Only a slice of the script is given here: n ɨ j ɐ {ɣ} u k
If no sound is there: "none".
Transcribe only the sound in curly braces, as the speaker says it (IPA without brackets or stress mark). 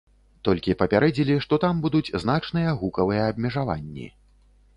ɣ